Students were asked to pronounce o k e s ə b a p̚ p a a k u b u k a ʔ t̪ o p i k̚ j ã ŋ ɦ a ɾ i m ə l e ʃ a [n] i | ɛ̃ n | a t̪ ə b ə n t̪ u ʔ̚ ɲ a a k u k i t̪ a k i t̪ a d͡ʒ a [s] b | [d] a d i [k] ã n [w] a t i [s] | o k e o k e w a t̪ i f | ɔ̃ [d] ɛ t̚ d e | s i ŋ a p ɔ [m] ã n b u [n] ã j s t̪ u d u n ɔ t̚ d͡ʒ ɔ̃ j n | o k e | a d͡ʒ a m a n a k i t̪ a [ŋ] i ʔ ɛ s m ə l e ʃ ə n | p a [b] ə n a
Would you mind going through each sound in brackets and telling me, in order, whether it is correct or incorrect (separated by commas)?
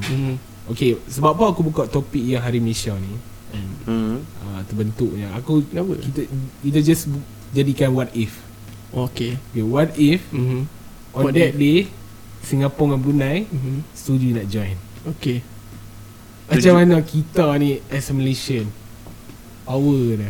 correct, correct, incorrect, correct, correct, incorrect, correct, incorrect, correct, incorrect, incorrect